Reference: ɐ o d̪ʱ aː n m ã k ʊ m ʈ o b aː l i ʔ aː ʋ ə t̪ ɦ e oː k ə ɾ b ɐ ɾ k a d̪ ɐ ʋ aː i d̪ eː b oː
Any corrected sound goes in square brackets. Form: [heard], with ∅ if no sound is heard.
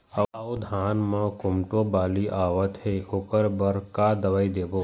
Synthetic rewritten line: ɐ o d̪ʱ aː n m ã k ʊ m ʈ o b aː l i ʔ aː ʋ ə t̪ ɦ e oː k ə ɾ b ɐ ɾ k a d̪ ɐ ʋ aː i d̪ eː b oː